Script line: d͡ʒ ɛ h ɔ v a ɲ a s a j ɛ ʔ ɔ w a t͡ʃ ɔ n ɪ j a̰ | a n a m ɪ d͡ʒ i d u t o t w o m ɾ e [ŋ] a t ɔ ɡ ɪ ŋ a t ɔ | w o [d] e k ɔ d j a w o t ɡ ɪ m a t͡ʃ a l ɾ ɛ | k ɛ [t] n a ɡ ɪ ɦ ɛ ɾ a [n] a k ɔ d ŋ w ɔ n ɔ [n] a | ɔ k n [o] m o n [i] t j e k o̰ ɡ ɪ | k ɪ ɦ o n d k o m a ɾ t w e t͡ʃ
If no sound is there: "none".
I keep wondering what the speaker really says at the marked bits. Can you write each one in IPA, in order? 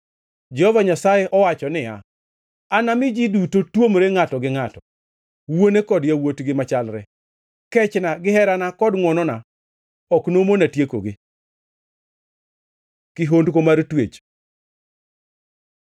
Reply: ŋ, n, t͡ʃ, n, n, o, a

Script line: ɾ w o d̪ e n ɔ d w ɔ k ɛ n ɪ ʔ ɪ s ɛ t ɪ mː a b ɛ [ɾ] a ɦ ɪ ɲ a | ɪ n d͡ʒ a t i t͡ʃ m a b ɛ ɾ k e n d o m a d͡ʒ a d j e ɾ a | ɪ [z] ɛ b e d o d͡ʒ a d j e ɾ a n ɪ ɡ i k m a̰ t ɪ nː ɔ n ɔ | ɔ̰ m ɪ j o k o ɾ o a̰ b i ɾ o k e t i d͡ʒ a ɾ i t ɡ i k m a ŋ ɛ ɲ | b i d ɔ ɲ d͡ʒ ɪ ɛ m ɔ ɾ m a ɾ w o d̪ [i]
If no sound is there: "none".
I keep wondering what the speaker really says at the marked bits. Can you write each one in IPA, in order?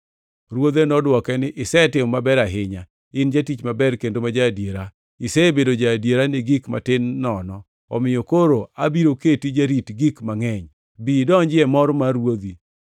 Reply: ɾ, s, i

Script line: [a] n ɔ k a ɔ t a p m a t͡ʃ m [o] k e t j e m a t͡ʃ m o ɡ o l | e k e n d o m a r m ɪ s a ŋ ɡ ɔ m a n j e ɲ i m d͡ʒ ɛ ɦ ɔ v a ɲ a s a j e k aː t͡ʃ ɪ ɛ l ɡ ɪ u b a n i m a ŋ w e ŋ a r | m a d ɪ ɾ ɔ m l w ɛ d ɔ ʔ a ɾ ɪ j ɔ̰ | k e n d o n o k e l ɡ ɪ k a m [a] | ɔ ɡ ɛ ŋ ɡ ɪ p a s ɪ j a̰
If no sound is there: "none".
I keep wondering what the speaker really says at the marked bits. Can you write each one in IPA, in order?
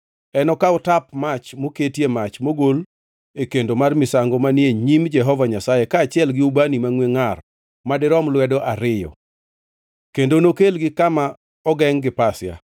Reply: ɛ, o, a

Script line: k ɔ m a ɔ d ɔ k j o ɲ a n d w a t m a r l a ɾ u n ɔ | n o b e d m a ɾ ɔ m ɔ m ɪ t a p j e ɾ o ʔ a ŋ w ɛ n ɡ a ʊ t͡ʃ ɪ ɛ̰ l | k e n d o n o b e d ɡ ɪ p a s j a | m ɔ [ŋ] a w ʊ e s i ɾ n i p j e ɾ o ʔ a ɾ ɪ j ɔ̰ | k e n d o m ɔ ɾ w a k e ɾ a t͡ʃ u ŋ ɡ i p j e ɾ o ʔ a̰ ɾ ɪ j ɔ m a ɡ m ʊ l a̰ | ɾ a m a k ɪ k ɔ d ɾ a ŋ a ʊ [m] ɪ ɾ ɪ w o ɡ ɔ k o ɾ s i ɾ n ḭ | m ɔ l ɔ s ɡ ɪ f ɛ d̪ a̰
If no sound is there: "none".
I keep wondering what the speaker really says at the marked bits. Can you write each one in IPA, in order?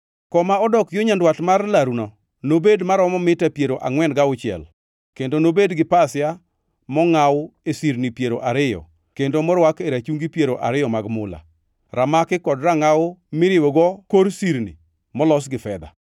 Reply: ŋ, m

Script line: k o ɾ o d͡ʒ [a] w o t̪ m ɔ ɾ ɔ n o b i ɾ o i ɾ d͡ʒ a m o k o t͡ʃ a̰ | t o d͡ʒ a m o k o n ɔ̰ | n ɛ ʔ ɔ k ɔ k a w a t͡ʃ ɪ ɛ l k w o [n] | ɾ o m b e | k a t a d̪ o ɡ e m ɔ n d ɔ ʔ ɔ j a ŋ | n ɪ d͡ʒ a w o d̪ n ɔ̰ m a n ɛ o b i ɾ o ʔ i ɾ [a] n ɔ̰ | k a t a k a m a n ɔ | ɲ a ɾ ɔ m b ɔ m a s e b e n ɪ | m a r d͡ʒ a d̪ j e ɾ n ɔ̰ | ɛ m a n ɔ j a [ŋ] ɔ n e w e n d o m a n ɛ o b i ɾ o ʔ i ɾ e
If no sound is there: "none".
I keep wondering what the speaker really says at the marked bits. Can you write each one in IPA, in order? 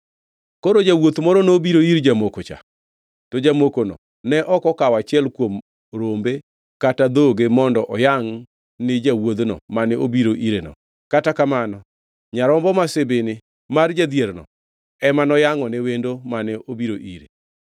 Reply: a, m, e, ŋ

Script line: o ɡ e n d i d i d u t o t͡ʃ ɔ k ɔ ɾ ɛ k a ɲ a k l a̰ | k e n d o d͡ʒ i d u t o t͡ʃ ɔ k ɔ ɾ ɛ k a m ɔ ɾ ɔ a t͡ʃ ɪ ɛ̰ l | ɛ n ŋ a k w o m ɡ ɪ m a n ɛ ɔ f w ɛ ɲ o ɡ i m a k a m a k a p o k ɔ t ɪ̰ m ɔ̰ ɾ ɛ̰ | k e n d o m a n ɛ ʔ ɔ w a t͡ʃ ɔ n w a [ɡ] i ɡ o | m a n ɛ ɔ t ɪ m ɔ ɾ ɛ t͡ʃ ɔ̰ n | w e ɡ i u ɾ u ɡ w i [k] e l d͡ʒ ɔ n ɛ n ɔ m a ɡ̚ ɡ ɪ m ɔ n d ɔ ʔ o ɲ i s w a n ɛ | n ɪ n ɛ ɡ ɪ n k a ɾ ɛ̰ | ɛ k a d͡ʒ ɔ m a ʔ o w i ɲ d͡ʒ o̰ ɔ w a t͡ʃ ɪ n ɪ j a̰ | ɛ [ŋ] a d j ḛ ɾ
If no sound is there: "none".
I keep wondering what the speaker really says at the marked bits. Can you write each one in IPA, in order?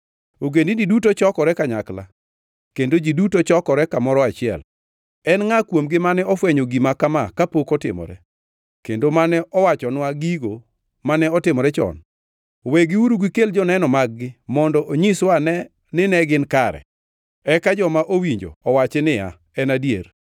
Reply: ɡ, k, n

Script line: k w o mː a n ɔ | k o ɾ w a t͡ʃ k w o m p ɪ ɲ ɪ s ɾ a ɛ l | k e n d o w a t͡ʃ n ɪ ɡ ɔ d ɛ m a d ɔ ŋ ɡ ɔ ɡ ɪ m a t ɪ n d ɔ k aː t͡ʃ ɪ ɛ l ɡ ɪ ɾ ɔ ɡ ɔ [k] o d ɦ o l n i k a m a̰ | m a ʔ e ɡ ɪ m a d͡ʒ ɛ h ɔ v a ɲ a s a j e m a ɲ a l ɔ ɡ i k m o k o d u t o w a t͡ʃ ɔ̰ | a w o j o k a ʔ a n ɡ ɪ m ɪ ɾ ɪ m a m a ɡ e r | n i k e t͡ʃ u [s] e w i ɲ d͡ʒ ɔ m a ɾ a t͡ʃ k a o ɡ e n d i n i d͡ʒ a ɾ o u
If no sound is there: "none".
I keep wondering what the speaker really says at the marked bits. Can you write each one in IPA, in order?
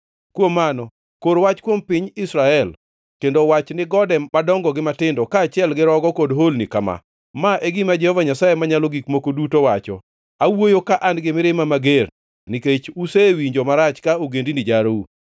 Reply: k, s

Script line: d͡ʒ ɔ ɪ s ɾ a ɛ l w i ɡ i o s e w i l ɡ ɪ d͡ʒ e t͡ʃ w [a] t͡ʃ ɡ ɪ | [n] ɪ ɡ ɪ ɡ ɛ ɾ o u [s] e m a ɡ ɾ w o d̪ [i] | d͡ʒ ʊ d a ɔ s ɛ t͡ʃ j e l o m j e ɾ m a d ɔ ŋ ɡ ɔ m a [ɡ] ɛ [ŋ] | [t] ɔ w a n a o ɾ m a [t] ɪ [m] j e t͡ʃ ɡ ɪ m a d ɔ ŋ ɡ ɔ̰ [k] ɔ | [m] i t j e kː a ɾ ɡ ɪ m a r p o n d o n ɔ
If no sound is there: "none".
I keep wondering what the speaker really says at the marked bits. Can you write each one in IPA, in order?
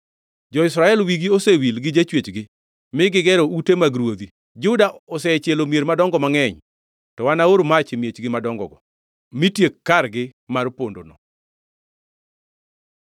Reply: e, m, t, i, ŋ, ɲ, t, t͡ʃ, m, ɡ, m

